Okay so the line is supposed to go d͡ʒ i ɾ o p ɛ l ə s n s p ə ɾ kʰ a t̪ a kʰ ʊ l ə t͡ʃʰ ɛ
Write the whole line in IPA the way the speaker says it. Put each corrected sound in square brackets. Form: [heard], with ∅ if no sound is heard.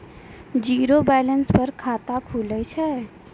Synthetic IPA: d͡ʒ i ɾ o [b] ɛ l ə [∅] n s p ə ɾ kʰ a t̪ a kʰ [u] l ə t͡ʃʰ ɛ